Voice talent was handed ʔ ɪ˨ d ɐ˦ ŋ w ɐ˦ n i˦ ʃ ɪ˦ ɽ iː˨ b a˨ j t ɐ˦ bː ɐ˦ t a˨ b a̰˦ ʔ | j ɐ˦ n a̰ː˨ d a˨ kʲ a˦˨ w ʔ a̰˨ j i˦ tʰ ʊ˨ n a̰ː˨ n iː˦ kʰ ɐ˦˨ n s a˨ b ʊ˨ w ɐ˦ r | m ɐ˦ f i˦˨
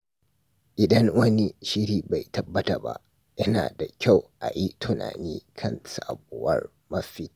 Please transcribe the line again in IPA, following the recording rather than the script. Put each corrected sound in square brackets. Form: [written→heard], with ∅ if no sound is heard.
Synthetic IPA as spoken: ʔ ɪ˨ d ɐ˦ ŋ w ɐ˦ n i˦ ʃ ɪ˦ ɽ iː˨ b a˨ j t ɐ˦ bː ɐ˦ t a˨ b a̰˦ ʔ | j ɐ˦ n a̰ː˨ d a˨ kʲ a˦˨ w ʔ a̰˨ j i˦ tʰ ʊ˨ n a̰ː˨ n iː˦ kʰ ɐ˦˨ n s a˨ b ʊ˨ w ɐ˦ r | m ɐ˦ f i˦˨